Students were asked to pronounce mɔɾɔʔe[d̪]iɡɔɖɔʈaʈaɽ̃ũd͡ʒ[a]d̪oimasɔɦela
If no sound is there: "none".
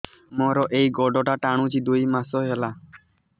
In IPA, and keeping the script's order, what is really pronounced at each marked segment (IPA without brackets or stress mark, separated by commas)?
none, i